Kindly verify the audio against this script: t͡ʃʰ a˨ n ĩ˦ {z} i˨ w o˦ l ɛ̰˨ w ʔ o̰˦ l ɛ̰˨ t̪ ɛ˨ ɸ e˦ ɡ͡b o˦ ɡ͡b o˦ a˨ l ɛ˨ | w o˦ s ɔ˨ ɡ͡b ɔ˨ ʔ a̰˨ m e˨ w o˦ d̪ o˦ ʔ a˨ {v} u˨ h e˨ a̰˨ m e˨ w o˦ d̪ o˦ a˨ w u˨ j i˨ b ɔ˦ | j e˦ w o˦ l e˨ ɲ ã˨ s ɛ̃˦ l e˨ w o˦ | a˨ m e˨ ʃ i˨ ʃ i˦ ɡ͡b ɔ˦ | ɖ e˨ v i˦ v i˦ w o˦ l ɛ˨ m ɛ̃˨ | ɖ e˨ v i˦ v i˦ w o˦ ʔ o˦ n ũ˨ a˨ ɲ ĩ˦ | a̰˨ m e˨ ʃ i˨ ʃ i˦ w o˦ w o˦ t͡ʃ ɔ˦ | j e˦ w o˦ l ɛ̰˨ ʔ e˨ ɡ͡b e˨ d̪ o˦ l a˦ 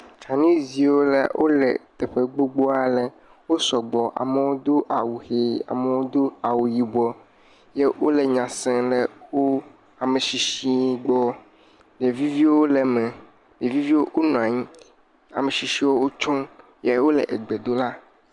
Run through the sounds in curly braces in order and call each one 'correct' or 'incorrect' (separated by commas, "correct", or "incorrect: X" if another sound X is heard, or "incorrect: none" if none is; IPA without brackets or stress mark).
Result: correct, incorrect: w